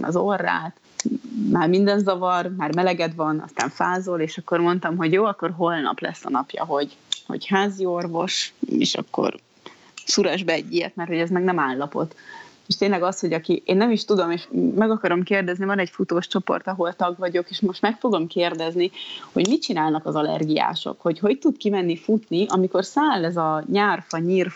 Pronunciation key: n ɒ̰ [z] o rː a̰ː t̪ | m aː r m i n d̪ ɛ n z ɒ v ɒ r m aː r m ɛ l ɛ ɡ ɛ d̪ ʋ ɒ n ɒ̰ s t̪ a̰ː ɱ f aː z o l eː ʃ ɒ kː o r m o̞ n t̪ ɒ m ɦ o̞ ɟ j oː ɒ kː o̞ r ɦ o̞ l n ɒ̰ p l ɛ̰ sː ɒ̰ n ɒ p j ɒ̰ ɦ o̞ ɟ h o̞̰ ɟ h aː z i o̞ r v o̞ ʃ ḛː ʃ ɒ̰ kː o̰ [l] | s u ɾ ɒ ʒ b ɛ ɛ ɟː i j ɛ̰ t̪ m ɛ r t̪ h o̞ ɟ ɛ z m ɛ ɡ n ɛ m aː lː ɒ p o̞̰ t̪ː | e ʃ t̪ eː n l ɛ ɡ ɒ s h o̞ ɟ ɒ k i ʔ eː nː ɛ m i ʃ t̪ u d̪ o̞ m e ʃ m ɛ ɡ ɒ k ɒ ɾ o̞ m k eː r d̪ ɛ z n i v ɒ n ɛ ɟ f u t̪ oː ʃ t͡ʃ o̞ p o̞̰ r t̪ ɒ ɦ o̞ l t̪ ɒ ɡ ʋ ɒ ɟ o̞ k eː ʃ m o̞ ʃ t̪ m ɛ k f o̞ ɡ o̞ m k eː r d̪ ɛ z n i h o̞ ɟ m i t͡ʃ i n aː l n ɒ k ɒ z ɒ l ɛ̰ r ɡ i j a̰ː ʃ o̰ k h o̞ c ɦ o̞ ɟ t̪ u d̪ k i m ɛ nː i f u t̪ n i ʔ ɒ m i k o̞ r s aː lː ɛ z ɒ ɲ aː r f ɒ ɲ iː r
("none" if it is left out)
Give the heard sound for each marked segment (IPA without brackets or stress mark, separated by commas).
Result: z, r